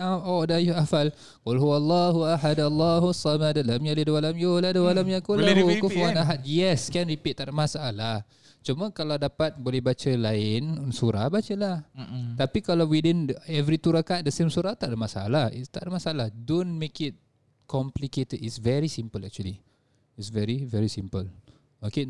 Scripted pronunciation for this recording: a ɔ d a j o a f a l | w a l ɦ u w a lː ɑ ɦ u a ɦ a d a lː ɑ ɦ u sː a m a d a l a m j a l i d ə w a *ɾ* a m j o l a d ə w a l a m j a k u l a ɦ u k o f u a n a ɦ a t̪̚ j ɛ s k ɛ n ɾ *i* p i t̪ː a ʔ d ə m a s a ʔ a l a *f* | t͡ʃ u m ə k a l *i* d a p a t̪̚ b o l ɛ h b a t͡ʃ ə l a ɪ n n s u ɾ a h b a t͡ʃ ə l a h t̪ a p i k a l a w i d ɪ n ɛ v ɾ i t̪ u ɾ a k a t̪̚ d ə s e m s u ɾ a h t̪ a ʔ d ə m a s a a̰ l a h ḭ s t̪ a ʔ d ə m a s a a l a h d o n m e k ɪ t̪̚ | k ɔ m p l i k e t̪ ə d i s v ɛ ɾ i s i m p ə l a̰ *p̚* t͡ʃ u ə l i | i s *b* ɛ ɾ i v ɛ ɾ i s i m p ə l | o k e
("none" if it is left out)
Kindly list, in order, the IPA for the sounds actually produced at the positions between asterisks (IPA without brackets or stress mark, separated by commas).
l, i, h, a, k̚, v